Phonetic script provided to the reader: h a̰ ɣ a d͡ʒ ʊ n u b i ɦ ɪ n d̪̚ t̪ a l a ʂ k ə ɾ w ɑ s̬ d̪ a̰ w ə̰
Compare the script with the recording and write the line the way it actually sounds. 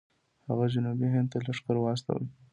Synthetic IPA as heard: h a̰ ɣ a d͡ʒ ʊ n u b i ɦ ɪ n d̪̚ t̪ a l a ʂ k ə ɾ w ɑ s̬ t̪ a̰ w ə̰